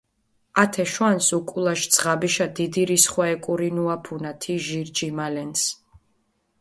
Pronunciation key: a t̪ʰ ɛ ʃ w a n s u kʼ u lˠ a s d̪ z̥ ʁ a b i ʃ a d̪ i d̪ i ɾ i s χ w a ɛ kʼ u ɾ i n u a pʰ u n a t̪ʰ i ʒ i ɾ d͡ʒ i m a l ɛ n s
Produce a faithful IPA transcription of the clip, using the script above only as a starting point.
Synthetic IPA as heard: a t̪ʰ ɛ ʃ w a n s u kʼ u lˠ a ʃ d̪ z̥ ʁ a b i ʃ a d̪ i d̪ i ɾ i s χ w a ɛ kʼ u ɾ i n u a pʰ u n a t̪ʰ i ʒ i ɾ d͡ʒ i m a l ɛ n s